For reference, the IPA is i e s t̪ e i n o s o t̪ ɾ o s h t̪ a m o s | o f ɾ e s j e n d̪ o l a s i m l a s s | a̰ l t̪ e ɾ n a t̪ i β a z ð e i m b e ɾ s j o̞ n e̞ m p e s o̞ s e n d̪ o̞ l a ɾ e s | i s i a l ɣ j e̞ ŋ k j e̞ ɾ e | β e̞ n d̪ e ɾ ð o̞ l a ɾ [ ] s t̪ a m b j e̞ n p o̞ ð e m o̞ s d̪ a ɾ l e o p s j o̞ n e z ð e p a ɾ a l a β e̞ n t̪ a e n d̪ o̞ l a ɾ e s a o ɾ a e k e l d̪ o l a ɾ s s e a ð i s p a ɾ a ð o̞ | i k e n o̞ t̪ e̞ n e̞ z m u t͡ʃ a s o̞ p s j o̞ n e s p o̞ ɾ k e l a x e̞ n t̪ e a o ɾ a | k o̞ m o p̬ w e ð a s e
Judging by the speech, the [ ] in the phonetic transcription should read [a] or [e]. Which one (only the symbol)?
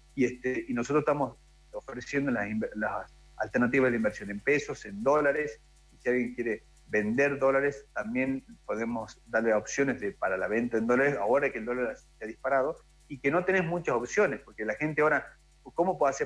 e